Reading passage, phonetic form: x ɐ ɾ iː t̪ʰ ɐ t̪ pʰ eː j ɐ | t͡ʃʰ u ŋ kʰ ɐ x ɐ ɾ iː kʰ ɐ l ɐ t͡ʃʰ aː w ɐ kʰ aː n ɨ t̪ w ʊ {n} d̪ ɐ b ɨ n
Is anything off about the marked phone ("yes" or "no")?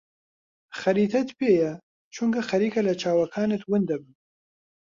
no